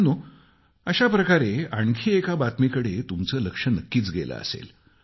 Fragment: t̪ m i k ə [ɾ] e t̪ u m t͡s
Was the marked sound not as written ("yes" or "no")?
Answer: yes